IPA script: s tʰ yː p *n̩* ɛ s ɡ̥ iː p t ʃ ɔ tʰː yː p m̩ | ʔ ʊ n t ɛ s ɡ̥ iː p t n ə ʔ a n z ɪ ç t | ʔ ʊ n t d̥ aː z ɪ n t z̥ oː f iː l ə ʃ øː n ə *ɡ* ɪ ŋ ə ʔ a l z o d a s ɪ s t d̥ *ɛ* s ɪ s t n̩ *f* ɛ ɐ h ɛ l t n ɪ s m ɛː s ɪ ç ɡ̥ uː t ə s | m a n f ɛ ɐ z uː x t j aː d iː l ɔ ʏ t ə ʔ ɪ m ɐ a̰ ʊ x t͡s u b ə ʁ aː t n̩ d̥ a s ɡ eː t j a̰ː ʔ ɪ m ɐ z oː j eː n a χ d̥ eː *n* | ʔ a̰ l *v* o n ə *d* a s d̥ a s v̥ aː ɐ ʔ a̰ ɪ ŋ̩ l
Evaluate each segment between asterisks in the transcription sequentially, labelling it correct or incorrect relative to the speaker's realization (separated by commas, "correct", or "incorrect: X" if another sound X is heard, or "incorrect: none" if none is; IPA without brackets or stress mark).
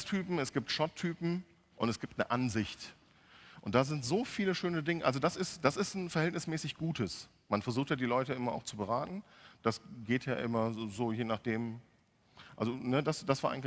incorrect: m̩, incorrect: d, incorrect: a, correct, incorrect: m, incorrect: z, correct